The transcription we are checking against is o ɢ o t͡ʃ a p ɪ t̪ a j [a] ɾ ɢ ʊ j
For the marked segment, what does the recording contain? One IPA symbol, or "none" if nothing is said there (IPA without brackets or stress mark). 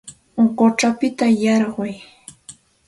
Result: ɑ